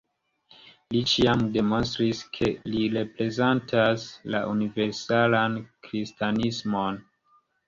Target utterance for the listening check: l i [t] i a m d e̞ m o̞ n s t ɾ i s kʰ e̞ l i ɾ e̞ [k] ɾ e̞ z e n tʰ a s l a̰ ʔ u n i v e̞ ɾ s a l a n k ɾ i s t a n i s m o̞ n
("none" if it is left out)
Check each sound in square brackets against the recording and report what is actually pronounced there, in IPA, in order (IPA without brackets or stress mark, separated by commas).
t͡ʃ, p